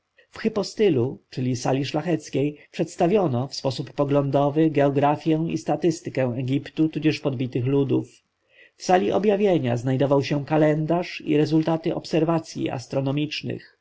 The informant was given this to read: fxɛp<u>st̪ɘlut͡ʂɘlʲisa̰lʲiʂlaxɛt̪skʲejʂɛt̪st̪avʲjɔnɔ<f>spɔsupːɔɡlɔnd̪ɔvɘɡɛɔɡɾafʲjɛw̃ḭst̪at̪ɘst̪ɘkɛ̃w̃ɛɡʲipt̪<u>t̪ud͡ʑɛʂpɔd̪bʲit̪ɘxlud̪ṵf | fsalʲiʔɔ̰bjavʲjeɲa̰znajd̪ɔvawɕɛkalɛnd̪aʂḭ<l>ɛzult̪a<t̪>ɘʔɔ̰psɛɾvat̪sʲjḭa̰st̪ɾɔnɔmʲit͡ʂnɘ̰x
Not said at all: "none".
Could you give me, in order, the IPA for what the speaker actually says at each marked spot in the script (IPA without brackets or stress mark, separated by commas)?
ɔ, f, u, ɾ, t̪